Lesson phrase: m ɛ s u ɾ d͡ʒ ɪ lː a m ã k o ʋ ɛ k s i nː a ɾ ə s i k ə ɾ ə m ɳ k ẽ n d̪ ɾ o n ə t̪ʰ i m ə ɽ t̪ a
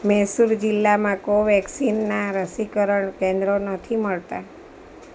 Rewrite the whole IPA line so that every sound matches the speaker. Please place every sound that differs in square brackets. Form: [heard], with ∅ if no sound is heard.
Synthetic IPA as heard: m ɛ s u ɾ d͡ʒ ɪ lː a m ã k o ʋ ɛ k s i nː a ɾ ə s i k ə ɾ ə [∅] ɳ k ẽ n d̪ ɾ o n ə t̪ʰ i m ə [ɭ] t̪ a